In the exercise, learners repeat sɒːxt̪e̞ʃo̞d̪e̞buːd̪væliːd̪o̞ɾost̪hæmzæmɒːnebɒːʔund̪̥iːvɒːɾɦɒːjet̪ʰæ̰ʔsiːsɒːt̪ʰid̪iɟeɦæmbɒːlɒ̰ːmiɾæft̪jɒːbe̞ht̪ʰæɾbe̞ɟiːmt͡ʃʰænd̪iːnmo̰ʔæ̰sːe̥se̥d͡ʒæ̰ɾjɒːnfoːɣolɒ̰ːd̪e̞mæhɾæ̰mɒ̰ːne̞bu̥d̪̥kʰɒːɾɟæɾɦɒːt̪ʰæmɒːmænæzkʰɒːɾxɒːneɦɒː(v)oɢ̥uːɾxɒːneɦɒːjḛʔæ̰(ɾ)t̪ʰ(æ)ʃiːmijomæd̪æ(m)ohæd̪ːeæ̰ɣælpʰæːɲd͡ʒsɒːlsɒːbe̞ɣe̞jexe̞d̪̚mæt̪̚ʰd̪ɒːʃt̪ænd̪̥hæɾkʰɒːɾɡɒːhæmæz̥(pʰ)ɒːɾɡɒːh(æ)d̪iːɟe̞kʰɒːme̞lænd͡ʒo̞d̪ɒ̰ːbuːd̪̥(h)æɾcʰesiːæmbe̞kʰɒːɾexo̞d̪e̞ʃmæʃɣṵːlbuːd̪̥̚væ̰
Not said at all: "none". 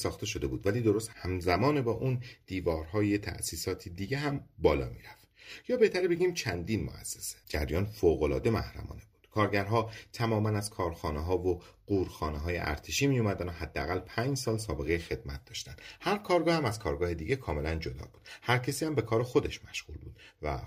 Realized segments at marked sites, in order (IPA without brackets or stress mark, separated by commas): v, ɾ, e, n, kʰ, e, h